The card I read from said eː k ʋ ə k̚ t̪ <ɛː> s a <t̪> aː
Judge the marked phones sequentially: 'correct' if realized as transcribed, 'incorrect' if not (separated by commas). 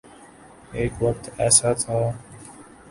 correct, incorrect